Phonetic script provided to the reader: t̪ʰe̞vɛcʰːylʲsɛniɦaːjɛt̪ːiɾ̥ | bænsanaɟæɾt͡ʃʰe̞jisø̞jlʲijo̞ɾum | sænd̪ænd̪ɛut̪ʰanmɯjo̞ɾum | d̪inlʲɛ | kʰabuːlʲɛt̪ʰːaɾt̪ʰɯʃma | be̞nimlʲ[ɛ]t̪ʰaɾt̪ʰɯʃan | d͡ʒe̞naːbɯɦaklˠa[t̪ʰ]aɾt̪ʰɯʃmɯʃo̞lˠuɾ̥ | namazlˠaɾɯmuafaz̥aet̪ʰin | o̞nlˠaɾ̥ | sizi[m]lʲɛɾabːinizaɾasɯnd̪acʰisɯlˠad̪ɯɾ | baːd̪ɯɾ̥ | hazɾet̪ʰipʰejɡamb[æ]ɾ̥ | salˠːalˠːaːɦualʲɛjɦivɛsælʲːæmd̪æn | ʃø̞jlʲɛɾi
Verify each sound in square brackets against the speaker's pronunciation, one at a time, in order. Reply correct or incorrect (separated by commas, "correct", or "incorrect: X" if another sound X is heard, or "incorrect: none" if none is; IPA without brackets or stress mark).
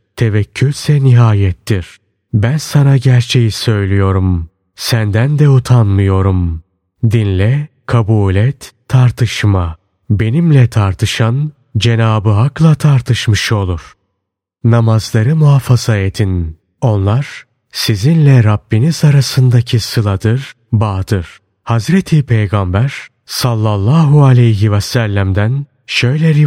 correct, correct, incorrect: n, correct